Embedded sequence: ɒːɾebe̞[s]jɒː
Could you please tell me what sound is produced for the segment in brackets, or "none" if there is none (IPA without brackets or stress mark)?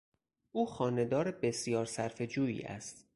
s